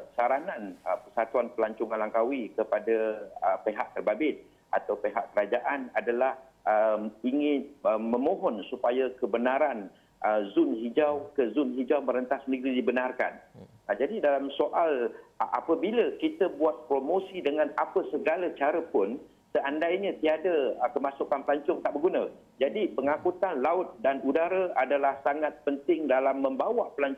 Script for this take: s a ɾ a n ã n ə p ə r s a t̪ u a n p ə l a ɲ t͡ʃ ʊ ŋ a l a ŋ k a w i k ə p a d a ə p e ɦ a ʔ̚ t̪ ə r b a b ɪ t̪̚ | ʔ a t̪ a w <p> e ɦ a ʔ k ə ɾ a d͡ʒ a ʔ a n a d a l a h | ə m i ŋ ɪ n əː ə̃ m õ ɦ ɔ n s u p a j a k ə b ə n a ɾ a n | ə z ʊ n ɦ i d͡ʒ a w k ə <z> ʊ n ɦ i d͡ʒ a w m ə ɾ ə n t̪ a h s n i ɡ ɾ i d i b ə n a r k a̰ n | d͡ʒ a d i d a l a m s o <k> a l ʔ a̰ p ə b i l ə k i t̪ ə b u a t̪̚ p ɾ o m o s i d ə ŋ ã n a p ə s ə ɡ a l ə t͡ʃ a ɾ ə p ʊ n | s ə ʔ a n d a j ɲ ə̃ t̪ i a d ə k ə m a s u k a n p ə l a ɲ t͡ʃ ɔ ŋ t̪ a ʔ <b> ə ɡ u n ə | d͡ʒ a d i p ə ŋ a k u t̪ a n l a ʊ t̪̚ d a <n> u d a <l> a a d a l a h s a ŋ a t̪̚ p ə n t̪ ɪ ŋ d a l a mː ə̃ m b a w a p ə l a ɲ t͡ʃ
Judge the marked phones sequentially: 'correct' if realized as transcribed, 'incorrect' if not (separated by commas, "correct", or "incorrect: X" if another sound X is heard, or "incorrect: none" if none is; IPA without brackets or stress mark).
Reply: correct, correct, incorrect: ʔ, correct, correct, incorrect: ɾ